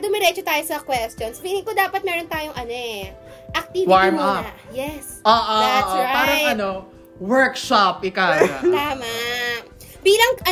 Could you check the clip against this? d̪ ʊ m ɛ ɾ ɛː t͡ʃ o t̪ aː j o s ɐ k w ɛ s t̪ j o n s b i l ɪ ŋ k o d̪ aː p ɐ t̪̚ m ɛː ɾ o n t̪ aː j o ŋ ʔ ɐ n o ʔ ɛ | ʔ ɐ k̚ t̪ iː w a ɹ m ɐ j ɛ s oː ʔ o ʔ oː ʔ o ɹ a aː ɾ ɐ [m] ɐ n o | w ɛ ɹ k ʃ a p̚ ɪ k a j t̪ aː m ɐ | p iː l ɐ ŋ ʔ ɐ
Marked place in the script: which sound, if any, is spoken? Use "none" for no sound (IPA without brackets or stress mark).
ŋ